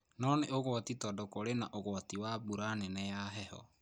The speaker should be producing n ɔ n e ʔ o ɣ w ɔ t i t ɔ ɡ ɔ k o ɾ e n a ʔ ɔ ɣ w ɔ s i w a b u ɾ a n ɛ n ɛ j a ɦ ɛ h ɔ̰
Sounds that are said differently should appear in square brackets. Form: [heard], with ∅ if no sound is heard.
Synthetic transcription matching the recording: n ɔ n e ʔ o ɣ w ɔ t i t ɔ [d] ɔ k o ɾ e n a ʔ [o] ɣ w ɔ [t] i w a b u ɾ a n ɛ n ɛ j a ɦ ɛ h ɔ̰